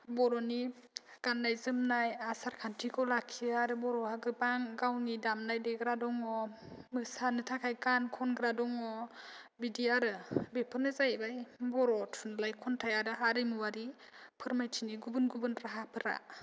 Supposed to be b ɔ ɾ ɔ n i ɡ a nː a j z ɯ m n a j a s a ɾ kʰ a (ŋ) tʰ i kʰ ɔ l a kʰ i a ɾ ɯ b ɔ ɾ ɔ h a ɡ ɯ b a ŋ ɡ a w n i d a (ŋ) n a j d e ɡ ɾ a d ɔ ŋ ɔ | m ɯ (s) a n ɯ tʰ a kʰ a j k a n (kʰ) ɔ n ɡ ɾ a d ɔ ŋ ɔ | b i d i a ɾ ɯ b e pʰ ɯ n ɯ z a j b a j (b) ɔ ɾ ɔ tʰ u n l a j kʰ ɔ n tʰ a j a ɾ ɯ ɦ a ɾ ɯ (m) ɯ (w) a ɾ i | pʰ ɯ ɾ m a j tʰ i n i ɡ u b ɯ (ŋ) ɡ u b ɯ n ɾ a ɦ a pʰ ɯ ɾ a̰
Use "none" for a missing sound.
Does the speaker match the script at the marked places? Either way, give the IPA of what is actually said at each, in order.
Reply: n, m, s, kʰ, b, m, w, n

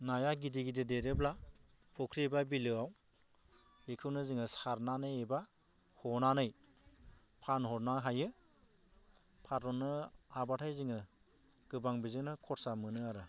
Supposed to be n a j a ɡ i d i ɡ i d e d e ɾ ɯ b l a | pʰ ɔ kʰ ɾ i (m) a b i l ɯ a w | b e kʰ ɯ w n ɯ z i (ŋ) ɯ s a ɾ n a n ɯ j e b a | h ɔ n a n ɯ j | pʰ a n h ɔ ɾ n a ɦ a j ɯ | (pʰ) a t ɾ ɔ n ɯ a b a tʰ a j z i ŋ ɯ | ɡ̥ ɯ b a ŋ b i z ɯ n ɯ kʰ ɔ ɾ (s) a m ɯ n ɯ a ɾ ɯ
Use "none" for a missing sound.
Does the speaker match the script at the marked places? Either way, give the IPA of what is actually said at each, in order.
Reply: b, ŋ, pʰ, s

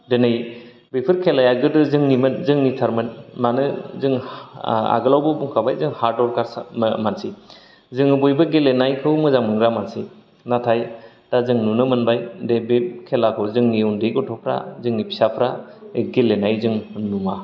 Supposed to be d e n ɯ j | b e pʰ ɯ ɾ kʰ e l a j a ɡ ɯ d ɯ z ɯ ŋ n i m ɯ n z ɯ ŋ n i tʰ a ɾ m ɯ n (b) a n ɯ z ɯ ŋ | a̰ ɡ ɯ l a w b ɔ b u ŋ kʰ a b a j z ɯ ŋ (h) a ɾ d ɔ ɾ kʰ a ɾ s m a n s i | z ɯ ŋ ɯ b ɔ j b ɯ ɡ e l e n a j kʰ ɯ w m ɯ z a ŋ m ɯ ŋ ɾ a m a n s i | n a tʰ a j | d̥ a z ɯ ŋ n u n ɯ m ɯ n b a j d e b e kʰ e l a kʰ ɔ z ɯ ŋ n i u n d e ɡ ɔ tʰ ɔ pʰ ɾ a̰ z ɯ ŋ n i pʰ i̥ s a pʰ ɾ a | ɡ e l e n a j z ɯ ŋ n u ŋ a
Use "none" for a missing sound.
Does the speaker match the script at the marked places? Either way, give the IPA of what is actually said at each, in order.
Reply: m, h

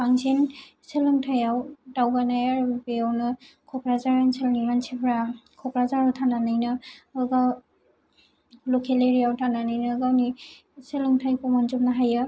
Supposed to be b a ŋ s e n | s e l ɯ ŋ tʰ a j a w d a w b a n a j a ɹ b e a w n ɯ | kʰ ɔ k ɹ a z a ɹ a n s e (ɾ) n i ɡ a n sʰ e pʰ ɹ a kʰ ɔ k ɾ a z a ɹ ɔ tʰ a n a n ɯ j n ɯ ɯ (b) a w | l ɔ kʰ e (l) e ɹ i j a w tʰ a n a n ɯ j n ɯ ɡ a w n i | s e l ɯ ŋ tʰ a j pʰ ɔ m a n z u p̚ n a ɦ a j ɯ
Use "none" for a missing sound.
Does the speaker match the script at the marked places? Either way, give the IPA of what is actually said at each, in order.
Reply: l, ɡ, l

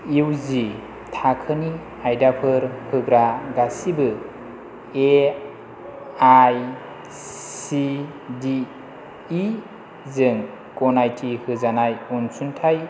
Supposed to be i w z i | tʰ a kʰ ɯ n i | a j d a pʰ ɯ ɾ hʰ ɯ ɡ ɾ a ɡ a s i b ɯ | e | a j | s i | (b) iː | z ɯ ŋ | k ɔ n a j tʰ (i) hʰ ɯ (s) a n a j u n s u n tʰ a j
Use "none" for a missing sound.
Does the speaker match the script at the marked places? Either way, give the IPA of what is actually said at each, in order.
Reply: d, i, z

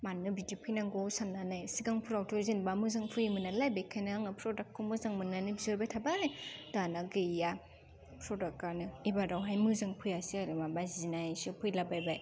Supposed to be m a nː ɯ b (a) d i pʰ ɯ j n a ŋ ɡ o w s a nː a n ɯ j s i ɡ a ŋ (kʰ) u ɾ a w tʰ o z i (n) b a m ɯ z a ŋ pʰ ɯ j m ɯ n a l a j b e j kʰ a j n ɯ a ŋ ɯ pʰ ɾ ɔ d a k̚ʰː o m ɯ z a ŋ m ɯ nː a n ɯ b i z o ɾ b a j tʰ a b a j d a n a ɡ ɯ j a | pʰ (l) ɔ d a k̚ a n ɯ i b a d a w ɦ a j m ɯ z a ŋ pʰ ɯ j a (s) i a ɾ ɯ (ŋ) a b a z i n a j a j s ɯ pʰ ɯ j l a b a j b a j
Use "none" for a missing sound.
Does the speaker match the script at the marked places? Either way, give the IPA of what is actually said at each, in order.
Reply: i, pʰ, n, ɾ, s, m

